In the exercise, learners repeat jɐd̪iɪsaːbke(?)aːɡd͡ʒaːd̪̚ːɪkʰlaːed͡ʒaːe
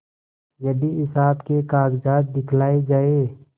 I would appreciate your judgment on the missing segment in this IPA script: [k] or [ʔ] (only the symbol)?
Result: k